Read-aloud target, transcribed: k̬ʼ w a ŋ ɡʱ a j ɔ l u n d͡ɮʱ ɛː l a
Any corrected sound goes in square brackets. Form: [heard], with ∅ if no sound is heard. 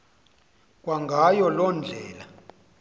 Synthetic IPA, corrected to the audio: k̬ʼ w a ŋ ɡʱ a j ɔ l [ɔ] n d͡ɮʱ ɛː l a